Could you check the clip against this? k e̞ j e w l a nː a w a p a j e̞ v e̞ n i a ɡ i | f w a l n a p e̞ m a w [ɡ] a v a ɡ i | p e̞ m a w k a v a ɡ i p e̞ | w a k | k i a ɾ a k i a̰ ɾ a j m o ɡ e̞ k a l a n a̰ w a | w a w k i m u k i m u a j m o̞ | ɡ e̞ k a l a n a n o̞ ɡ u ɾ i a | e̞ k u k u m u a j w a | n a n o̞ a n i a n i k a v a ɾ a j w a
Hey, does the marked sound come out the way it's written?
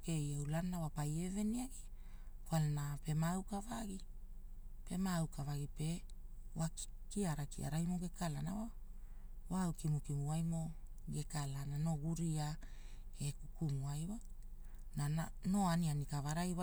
no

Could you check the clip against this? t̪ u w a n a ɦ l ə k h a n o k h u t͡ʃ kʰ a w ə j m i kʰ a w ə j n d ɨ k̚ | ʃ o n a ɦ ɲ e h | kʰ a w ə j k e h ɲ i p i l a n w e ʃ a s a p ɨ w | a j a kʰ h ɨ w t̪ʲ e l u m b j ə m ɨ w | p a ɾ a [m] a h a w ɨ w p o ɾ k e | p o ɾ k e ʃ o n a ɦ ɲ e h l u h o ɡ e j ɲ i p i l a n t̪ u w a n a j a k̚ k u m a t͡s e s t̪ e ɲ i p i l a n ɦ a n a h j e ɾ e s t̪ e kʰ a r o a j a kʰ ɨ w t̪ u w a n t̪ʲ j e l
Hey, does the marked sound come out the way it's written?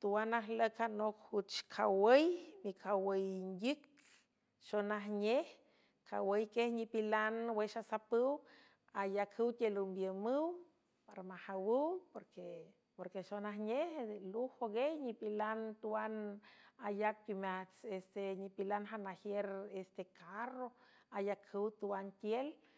yes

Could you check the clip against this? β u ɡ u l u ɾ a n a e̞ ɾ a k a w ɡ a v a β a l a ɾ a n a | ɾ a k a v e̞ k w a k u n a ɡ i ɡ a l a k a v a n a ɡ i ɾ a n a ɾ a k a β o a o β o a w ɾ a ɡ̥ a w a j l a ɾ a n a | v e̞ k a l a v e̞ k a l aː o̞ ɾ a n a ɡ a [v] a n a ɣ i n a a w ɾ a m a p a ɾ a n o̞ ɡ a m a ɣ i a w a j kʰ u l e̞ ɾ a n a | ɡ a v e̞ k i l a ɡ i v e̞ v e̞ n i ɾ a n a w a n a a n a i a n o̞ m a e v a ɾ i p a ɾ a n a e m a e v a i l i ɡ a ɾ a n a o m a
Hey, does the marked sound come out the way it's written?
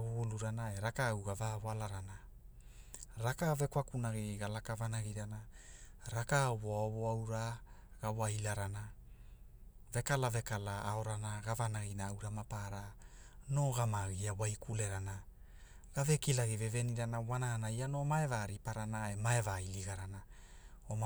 yes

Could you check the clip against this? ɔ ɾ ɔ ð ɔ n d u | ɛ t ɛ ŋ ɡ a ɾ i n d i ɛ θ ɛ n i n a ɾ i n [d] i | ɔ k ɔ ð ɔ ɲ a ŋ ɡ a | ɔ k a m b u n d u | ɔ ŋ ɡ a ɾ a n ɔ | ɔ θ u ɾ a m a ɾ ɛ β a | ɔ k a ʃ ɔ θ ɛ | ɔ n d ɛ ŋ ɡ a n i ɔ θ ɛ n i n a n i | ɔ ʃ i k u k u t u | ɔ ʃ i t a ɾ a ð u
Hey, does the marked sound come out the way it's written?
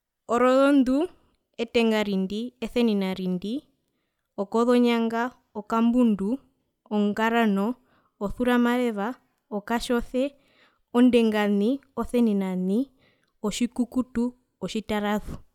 yes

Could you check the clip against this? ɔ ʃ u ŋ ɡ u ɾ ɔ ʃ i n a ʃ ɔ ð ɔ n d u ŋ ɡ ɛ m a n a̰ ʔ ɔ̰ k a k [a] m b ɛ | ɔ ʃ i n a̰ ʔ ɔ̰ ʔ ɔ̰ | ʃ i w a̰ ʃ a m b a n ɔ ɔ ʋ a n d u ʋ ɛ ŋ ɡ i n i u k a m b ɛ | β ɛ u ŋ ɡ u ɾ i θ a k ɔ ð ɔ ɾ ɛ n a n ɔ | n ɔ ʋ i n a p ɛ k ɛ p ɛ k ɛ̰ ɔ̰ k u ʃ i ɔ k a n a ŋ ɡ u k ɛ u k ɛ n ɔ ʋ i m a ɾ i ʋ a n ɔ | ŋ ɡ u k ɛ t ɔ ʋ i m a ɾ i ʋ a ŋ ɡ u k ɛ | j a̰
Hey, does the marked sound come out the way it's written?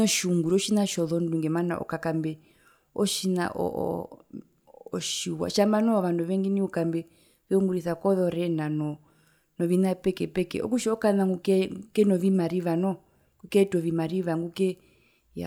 yes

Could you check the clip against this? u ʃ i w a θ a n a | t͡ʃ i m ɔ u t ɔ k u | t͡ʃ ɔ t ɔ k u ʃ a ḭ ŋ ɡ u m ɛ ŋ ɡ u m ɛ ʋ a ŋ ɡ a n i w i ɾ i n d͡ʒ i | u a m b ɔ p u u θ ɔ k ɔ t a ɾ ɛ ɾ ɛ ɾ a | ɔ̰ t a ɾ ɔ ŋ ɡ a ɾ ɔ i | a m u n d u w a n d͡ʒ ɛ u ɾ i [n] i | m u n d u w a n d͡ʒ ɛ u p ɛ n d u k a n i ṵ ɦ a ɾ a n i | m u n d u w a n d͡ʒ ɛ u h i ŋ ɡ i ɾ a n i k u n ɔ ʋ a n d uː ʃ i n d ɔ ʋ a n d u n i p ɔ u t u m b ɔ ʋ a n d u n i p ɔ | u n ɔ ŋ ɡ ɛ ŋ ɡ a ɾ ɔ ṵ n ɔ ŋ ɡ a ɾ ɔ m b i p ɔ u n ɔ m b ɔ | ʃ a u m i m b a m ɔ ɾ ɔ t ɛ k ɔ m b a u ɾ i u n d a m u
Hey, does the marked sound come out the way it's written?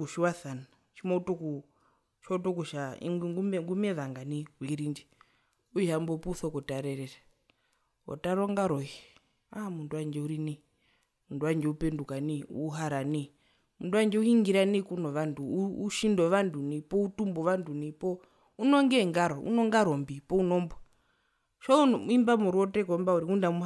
yes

